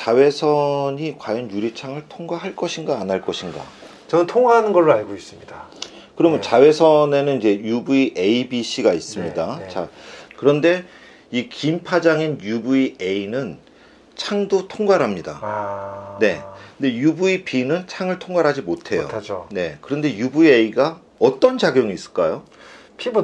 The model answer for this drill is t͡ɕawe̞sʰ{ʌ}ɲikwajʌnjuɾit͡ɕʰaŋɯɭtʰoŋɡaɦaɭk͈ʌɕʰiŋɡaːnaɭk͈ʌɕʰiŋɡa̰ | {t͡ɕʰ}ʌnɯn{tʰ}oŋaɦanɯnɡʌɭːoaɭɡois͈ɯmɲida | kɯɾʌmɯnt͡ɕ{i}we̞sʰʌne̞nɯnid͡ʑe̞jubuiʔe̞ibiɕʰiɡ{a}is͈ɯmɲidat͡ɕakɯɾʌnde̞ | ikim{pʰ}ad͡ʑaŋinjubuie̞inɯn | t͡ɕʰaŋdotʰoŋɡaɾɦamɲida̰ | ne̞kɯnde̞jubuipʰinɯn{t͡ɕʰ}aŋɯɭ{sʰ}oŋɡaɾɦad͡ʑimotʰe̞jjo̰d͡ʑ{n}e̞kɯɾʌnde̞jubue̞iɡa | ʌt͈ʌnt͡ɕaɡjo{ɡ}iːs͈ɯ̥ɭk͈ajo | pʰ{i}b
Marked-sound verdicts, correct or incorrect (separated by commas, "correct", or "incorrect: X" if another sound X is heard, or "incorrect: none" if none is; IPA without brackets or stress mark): correct, incorrect: t͡ɕ, correct, incorrect: a, correct, correct, correct, incorrect: tʰ, correct, incorrect: ŋ, correct